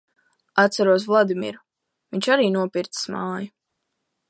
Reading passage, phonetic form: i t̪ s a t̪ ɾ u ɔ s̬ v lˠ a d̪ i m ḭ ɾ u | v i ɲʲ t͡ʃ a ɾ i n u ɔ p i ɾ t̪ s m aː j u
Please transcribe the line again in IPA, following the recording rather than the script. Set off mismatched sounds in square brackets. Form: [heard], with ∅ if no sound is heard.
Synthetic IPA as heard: [a] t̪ s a [∅] ɾ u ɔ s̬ v lˠ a d̪ i m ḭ ɾ u | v i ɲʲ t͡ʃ a ɾ [iː] n u ɔ p i ɾ t̪ s m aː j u